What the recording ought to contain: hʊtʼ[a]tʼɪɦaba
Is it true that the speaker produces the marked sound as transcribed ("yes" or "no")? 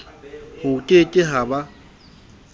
no